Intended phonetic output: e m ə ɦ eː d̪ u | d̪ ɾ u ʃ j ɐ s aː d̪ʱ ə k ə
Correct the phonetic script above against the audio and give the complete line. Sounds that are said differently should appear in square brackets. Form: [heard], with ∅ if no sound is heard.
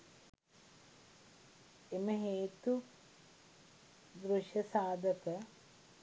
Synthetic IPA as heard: e m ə ɦ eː [t̪] u | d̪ ɾ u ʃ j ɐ s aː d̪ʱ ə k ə